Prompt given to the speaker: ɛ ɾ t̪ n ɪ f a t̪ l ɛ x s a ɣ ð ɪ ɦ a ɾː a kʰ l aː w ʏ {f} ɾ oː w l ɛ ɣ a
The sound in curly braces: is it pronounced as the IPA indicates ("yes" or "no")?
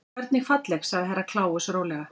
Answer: no